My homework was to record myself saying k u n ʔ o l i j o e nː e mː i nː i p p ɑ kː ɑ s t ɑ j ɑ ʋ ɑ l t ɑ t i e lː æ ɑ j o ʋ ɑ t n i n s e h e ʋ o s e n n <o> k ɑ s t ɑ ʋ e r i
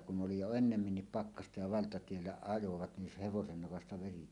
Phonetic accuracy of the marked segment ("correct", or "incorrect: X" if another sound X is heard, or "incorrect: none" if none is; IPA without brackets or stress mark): correct